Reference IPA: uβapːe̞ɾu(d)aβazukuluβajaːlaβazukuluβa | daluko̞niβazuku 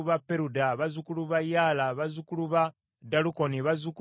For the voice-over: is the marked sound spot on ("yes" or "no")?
yes